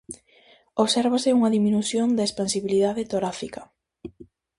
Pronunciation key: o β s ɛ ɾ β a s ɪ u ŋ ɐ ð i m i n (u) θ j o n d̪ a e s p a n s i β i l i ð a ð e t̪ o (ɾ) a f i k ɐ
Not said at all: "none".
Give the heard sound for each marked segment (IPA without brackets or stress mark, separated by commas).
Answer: u, ɾ